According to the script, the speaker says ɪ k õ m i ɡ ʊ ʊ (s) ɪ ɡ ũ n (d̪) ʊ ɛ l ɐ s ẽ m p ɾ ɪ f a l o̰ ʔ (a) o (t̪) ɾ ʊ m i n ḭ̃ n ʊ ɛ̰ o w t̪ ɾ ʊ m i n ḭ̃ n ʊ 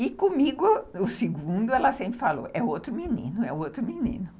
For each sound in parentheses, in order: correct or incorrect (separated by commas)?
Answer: correct, correct, incorrect, correct